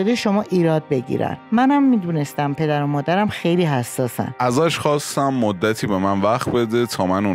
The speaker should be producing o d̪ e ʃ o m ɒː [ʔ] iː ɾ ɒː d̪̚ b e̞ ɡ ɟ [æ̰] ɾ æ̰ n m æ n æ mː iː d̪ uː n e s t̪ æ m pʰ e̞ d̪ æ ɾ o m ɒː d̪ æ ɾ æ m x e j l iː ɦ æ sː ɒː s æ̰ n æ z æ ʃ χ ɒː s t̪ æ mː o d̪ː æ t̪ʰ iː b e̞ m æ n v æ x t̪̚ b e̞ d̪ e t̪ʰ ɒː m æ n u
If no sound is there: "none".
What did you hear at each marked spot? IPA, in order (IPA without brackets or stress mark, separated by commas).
ʔ, ḭ